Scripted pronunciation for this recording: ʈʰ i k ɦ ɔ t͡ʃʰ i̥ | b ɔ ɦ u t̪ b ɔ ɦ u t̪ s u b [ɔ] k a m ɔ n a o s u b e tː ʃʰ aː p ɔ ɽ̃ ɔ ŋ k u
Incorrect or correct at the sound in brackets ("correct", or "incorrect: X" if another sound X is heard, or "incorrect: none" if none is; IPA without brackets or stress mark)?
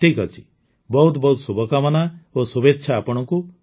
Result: correct